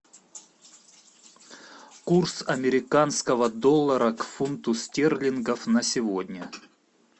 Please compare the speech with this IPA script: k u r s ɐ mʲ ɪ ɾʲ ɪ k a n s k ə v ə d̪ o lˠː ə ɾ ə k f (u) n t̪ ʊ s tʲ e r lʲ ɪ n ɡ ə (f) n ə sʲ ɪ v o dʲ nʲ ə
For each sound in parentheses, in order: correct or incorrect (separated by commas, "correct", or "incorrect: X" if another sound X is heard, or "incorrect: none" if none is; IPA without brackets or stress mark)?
correct, correct